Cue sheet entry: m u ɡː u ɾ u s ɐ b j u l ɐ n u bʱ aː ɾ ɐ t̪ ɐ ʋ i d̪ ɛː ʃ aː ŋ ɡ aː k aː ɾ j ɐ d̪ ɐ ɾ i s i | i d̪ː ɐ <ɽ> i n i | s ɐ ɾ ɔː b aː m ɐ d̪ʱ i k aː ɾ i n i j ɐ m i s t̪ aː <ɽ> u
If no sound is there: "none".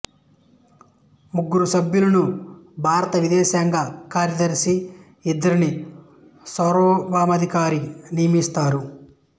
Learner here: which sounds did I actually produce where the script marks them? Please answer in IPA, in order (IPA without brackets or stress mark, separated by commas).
ɾ, ɾ